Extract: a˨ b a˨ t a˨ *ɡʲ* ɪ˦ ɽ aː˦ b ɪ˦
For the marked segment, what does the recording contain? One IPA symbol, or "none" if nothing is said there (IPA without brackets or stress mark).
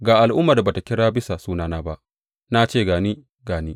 kʲ